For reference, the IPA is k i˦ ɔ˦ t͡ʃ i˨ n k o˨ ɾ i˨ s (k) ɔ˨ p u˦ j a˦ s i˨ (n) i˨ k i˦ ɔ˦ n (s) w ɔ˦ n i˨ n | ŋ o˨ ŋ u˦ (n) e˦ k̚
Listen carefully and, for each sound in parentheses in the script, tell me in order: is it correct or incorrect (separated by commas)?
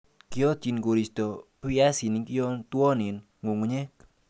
incorrect, correct, incorrect, incorrect